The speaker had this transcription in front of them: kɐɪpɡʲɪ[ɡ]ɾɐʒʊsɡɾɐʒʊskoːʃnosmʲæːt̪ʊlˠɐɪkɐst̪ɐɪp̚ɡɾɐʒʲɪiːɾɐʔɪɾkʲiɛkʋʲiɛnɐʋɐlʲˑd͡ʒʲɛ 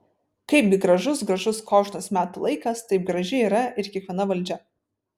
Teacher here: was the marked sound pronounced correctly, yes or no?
yes